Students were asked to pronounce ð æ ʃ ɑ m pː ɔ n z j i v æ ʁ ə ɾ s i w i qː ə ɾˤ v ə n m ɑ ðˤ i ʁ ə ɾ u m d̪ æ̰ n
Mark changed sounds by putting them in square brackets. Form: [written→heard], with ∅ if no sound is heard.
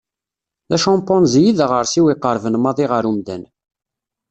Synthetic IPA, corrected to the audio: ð æ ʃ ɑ m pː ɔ n z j i [v→ð] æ ʁ ə ɾ s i w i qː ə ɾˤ v ə n m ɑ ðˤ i ʁ ə ɾ u m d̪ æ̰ n